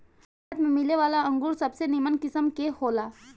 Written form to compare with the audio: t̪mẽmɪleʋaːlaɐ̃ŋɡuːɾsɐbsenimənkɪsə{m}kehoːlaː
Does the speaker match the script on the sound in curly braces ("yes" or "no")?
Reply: yes